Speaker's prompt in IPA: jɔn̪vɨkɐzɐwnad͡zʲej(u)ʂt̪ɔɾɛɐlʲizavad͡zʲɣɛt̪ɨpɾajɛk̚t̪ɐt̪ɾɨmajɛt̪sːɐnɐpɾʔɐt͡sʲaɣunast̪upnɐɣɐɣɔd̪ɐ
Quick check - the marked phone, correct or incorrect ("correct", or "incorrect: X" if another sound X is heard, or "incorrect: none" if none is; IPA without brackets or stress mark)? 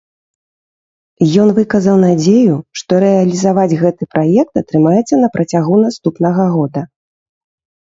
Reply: correct